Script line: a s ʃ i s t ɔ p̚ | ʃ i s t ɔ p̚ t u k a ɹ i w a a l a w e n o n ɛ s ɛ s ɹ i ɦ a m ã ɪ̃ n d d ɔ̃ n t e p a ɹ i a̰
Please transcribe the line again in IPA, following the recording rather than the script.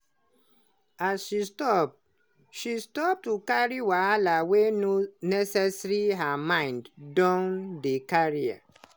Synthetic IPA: a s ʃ i s t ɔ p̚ | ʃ i s t ɔ p̚ t u k a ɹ i w a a l a w e n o n ɛ s ɛ s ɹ i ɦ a m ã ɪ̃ n d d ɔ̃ n d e k a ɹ i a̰